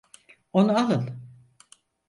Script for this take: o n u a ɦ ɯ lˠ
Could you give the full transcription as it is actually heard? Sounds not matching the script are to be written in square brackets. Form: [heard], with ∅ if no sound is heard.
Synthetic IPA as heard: o n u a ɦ ɯ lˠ